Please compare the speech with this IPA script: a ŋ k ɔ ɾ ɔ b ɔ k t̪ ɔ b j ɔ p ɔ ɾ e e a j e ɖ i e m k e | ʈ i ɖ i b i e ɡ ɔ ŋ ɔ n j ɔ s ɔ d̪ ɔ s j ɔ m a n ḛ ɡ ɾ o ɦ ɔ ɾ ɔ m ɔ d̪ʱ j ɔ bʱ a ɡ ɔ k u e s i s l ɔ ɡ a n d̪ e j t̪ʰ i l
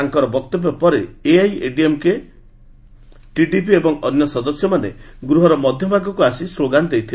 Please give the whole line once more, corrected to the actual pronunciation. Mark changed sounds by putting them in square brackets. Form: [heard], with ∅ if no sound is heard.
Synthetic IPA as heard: a ŋ k ɔ ɾ ɔ b ɔ k t̪ ɔ b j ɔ p ɔ ɾ e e a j e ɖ i e m k e | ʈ i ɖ i [p] i e [b] ɔ ŋ ɔ n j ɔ s ɔ d̪ ɔ s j ɔ m a n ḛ ɡ ɾ [u] ɦ ɔ ɾ ɔ m ɔ d̪ʱ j ɔ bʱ a ɡ ɔ k u [a] s i s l [o] ɡ a n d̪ e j t̪ʰ i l

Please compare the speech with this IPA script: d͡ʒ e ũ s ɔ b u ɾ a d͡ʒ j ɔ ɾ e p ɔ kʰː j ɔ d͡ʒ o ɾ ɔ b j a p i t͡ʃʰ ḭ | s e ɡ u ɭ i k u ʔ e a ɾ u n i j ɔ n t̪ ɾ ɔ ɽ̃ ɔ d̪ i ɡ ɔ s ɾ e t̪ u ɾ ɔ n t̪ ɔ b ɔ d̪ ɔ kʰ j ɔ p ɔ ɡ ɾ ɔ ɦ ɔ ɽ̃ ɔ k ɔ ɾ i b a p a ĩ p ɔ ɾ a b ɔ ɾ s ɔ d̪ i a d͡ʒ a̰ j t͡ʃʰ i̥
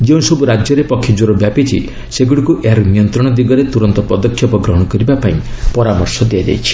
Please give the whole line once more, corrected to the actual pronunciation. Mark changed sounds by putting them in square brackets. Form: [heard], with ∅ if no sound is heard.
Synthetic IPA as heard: d͡ʒ e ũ s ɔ b u ɾ a d͡ʒ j ɔ ɾ e p ɔ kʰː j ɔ d͡ʒ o ɾ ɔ b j a p i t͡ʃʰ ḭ | s e ɡ u [ɽ] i k u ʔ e a ɾ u n i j ɔ n t̪ ɾ ɔ ɽ̃ ɔ d̪ i ɡ ɔ [∅] ɾ e t̪ u ɾ ɔ n t̪ ɔ [p] ɔ d̪ ɔ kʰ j ɔ p ɔ ɡ ɾ ɔ ɦ ɔ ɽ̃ ɔ k ɔ ɾ i b a p a ĩ p ɔ ɾ a [m] ɔ ɾ s ɔ d̪ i a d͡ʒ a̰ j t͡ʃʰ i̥

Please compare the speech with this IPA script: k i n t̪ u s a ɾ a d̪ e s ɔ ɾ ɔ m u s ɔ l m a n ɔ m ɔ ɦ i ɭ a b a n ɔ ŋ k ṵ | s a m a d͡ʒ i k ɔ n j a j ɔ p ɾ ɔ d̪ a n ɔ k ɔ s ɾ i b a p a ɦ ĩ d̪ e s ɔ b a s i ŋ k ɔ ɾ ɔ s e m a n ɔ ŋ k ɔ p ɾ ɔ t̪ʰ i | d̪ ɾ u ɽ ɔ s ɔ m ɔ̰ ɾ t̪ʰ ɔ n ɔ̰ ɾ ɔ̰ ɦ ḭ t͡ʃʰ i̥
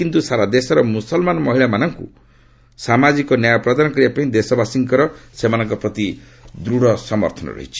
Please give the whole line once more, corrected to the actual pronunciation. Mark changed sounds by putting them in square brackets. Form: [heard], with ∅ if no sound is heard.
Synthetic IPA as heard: k i n t̪ u s a ɾ a d̪ e s ɔ ɾ ɔ m u s ɔ l m a n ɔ m ɔ ɦ i ɭ a [m] a n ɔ ŋ k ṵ | s a m a d͡ʒ i k ɔ n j a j ɔ p ɾ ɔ d̪ a n ɔ k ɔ [∅] ɾ i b a p a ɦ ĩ d̪ e s ɔ b a s i ŋ k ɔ ɾ ɔ s e m a n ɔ ŋ k ɔ p ɾ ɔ [t̪] i | d̪ ɾ u ɽ ɔ s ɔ m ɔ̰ ɾ t̪ʰ ɔ n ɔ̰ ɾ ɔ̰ ɦ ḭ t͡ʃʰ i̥

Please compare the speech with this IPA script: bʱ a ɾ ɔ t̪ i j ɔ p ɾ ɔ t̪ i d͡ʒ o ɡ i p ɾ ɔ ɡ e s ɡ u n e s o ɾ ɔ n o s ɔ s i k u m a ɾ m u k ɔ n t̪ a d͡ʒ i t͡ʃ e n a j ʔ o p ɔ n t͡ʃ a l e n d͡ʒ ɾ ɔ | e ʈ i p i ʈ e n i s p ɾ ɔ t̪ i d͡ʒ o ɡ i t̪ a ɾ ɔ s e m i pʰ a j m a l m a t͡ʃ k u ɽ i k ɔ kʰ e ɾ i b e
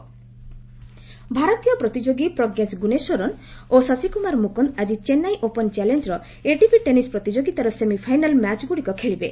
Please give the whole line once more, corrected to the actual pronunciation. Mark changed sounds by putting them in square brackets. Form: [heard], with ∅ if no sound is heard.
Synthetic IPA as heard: bʱ a ɾ ɔ t̪ i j ɔ p ɾ ɔ t̪ i d͡ʒ o ɡ i p ɾ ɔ ɡ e s ɡ u n e s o ɾ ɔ n o s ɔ s i k u m a ɾ m u k ɔ n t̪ a d͡ʒ i t͡ʃ e n a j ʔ o p ɔ n t͡ʃ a l e n d͡ʒ ɾ ɔ | e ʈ i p i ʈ e n i s p ɾ ɔ t̪ i d͡ʒ o ɡ i t̪ a ɾ ɔ s e m i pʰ a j [n] a l m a t͡ʃ [ɡ] u ɽ i k ɔ kʰ e [ɭ] i b e

